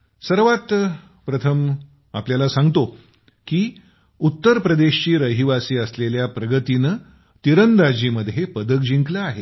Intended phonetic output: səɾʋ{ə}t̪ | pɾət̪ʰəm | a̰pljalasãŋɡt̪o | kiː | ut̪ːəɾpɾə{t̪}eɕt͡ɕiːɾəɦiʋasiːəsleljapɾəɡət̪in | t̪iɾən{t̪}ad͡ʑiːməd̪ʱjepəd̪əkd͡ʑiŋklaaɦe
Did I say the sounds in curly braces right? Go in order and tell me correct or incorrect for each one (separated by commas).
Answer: incorrect, incorrect, incorrect